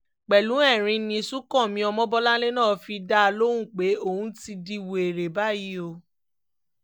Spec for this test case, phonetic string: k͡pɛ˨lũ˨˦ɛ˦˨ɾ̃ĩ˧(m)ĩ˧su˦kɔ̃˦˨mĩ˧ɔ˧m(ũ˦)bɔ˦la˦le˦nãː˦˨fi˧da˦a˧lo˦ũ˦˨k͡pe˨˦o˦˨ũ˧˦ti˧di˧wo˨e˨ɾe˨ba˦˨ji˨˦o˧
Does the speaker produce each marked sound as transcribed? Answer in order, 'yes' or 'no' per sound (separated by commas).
no, no